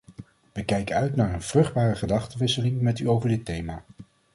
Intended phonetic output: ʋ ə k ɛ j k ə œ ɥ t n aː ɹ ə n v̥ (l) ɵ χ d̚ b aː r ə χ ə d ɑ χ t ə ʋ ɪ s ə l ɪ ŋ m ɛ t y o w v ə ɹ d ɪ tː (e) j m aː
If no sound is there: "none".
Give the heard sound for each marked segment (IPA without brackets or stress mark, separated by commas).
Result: r, e